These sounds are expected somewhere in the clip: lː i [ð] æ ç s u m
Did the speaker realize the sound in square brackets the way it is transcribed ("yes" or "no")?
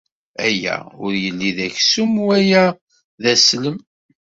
yes